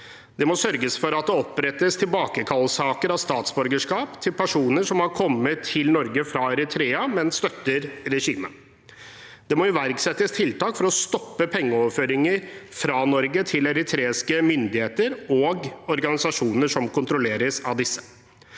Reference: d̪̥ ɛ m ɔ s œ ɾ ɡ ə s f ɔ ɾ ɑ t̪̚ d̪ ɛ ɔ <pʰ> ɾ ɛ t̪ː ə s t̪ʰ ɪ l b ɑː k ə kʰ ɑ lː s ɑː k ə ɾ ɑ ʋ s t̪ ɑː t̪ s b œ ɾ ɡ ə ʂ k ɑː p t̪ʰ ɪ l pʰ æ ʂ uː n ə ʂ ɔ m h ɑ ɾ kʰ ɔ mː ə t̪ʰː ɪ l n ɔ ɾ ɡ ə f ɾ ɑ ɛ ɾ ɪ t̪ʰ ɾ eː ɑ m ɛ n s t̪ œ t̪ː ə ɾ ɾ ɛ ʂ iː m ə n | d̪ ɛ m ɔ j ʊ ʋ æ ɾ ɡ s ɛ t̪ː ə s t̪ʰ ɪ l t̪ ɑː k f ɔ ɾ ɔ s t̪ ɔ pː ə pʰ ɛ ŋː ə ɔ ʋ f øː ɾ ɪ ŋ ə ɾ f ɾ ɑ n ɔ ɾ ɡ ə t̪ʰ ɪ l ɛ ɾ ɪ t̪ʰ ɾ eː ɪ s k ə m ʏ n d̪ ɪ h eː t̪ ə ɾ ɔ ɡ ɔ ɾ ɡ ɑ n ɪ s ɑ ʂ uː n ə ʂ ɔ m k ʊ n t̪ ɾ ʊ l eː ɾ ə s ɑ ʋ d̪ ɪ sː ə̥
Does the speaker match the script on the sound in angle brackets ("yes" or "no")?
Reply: no